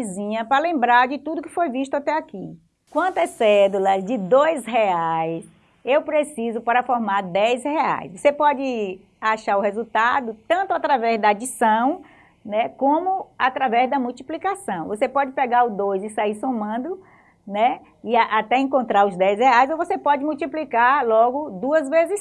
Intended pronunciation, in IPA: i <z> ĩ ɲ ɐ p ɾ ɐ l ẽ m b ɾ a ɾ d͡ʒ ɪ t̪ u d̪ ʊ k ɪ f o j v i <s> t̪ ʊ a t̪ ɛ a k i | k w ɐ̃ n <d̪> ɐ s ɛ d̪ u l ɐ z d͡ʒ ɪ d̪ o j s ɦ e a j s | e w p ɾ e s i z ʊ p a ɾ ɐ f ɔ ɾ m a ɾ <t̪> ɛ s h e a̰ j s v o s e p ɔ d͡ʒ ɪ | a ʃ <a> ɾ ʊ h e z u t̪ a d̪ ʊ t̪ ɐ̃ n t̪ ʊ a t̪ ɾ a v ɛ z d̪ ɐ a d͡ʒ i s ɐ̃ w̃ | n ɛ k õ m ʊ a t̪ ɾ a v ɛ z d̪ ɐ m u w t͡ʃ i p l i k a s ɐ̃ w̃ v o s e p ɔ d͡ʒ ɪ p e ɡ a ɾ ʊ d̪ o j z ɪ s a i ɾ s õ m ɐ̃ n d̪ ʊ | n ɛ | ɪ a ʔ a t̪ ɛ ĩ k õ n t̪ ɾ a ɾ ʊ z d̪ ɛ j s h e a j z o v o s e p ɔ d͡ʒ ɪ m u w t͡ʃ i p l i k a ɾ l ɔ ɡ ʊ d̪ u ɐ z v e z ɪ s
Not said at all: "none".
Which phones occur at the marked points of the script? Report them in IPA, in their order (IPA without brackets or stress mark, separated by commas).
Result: z, ʃ, t̪, d̪, a